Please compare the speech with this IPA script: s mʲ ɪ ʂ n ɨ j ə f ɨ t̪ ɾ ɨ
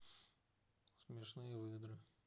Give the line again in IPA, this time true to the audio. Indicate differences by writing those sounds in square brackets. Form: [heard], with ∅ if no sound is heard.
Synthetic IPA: s mʲ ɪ ʂ n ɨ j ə [v] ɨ [d̪] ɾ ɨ

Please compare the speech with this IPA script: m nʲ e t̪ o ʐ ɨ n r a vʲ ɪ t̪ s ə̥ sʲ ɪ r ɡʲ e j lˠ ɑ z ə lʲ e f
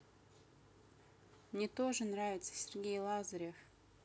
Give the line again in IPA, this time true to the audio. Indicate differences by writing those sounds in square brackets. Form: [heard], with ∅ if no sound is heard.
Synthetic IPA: m nʲ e t̪ o ʐ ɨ n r a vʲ ɪ t̪ s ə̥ sʲ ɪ r ɡʲ e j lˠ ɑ z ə [ɾʲ] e f

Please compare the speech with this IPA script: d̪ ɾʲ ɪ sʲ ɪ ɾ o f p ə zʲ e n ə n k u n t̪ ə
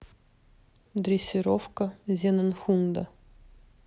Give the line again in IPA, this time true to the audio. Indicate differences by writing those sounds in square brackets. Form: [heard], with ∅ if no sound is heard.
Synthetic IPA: d̪ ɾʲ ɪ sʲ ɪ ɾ o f [k] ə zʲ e n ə n [x] u n [d̪] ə

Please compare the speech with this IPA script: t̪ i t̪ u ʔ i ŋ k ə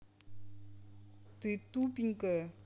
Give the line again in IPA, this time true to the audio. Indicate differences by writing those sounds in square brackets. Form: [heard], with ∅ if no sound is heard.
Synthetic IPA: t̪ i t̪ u [p] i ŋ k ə

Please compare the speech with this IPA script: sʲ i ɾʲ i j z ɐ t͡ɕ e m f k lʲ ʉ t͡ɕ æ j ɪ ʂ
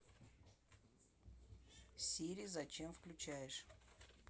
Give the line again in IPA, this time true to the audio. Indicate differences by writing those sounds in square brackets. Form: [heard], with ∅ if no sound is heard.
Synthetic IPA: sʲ i ɾʲ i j z ɐ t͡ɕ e m f k lʲ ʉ t͡ɕ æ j ɪ ʂ

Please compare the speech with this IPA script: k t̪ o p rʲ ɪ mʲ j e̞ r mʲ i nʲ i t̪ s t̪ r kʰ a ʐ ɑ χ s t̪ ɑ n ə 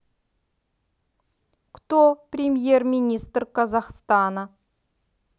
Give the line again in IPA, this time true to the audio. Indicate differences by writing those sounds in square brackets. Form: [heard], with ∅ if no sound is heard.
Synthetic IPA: k t̪ o p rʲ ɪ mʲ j e̞ r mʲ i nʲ i [∅] s t̪ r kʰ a [z] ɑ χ s t̪ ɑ n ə

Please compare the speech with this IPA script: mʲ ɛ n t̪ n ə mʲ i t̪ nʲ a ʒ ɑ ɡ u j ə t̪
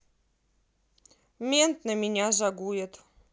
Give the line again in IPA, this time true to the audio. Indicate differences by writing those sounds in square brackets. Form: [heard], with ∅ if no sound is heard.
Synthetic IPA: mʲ [e] n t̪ n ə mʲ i [∅] nʲ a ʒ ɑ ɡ u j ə t̪

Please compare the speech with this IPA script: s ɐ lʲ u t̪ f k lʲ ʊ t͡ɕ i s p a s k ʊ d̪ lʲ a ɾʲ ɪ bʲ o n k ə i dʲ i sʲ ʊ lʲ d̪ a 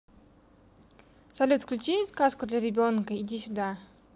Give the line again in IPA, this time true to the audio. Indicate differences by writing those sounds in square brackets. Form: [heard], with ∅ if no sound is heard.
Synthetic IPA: s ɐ lʲ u t̪ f k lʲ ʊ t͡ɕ i s [k] a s k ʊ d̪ lʲ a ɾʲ ɪ bʲ o n k ə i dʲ i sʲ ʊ [∅] d̪ a

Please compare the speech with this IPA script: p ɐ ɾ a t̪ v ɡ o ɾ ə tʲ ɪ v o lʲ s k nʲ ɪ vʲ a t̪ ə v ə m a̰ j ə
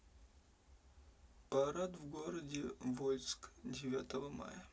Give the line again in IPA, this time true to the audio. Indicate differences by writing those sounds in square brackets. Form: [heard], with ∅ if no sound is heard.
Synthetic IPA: p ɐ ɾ a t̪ v ɡ o ɾ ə [dʲ] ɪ v o lʲ s k [dʲ] ɪ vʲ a t̪ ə v ə m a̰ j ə

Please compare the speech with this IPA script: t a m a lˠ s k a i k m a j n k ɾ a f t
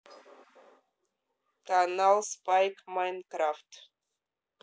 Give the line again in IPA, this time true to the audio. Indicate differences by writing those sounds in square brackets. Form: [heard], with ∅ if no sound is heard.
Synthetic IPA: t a [n] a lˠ s [p] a [j] k m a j n k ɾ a f t

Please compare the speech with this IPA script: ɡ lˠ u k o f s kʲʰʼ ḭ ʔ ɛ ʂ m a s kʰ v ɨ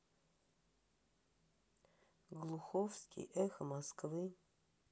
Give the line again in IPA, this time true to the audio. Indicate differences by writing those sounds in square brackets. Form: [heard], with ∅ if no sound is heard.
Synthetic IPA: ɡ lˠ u [x] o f s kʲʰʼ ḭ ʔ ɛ [x] m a s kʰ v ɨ

